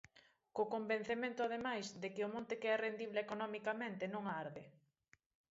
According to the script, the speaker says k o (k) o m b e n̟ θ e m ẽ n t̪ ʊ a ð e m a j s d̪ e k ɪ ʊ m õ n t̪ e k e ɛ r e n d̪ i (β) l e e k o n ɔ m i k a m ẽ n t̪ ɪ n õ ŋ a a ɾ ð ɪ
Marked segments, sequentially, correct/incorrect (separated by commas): correct, correct